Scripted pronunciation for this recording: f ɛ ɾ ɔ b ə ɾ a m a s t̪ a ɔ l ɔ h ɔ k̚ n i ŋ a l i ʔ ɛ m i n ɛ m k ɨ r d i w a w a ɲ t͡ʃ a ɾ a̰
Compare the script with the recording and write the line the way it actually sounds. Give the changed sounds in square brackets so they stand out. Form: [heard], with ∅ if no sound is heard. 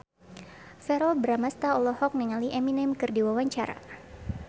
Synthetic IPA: f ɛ ɾ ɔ b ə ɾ a m a s t̪ a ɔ l ɔ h ɔ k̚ n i ŋ a l i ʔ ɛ m i n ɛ m k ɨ r d i w a w a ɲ t͡ʃ a ɾ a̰